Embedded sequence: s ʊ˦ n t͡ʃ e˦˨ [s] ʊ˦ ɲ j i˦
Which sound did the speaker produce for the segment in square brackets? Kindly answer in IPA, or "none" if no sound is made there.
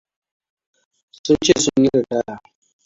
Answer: s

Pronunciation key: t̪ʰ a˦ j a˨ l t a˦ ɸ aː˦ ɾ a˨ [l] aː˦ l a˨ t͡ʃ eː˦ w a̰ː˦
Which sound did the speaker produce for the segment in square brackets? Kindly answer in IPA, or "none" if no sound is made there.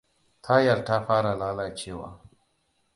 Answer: l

